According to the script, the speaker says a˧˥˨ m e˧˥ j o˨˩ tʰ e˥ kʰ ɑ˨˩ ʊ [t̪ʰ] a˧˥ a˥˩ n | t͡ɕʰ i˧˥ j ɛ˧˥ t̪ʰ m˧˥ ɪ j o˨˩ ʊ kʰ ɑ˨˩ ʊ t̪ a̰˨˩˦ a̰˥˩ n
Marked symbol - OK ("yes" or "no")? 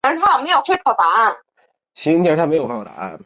no